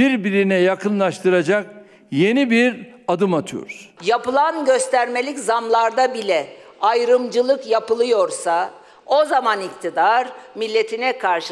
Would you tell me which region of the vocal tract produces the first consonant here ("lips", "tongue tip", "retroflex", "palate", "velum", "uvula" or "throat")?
tongue tip